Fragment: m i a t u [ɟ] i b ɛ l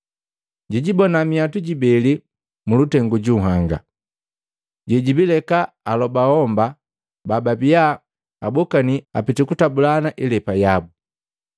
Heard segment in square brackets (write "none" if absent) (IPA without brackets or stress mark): ɟ